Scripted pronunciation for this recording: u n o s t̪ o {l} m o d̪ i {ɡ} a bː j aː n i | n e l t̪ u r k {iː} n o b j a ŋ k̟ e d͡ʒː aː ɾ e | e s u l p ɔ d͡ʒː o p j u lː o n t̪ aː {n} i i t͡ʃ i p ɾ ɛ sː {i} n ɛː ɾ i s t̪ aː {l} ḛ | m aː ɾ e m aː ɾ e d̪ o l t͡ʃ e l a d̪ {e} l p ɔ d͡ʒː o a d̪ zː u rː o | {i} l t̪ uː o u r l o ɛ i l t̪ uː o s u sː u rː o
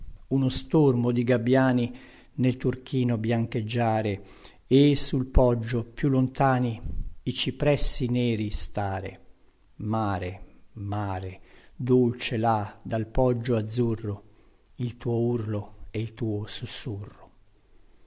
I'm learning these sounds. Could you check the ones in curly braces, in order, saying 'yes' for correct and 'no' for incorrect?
no, yes, yes, yes, yes, no, no, yes

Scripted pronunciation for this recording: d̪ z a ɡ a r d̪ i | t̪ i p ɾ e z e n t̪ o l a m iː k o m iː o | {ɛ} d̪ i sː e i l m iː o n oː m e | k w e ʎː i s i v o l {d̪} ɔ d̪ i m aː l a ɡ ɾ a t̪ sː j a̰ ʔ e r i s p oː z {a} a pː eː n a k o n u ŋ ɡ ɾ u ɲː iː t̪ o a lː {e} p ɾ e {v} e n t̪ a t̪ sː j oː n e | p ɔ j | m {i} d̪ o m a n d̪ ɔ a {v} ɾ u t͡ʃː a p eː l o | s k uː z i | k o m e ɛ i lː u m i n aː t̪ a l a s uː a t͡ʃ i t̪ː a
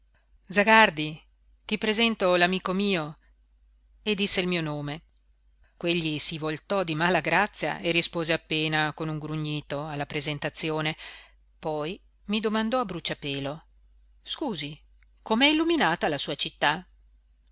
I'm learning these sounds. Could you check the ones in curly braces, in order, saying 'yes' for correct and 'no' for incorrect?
no, no, no, no, no, yes, no

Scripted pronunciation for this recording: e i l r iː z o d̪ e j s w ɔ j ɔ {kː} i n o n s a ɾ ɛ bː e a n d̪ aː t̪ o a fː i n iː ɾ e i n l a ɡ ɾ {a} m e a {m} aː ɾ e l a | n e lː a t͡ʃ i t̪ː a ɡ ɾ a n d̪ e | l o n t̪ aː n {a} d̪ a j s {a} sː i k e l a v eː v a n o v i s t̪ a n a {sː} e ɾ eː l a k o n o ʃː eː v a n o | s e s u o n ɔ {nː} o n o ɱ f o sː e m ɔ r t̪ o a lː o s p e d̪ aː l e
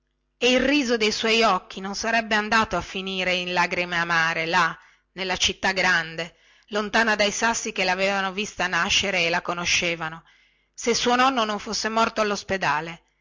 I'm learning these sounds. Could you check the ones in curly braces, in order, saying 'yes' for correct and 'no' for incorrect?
yes, no, yes, yes, yes, no, yes

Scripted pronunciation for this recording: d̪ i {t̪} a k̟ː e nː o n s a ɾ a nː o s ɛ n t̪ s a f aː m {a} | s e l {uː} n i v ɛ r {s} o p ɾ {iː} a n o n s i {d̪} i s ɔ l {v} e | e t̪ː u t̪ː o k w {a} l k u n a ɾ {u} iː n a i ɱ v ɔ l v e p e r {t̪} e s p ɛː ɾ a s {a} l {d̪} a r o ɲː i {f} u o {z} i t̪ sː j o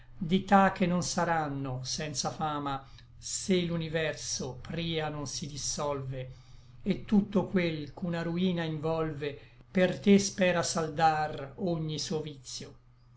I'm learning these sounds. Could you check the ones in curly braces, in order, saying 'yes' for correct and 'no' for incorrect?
yes, yes, no, yes, yes, yes, yes, no, yes, yes, yes, yes, no, no

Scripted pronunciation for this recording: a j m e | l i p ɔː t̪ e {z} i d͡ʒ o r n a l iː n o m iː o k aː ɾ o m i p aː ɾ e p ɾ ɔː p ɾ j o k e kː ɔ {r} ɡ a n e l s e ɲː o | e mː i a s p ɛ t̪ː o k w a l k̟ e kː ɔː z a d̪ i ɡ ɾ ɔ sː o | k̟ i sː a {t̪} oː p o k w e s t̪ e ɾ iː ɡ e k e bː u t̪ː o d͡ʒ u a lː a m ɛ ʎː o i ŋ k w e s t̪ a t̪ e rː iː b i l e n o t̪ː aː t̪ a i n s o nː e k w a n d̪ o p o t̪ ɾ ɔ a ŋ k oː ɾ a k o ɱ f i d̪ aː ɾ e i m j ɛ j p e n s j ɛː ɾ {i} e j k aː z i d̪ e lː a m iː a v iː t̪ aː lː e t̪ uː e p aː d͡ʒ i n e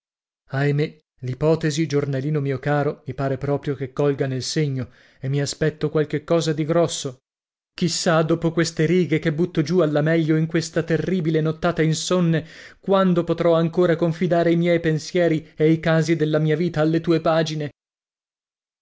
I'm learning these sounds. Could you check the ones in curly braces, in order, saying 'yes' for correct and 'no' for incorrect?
yes, no, no, yes

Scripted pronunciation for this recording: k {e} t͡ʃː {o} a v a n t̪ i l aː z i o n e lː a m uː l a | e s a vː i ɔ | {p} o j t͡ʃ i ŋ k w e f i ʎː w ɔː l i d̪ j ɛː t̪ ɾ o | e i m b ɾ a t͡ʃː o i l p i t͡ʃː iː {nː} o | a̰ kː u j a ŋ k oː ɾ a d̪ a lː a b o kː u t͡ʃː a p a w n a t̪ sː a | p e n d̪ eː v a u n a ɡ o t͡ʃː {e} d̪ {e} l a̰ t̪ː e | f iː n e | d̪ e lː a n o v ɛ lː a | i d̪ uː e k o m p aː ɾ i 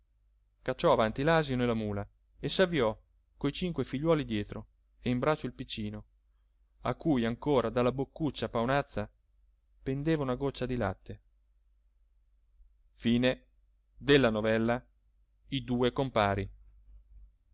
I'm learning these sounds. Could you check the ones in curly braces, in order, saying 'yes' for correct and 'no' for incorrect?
no, no, no, no, no, no

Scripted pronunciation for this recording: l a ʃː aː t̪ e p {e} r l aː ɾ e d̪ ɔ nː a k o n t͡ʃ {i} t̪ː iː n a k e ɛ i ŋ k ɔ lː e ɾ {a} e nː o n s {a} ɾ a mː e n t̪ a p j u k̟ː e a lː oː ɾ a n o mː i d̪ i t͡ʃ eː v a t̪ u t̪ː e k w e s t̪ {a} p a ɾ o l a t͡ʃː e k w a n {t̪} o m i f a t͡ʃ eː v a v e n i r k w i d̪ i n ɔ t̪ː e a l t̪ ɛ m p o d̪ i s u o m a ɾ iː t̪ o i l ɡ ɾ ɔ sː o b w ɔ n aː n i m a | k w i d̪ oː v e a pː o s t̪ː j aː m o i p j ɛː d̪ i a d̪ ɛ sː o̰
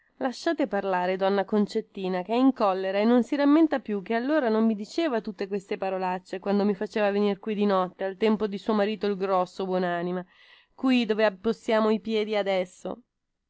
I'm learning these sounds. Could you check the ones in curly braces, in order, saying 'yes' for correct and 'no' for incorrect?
no, no, yes, no, no, no

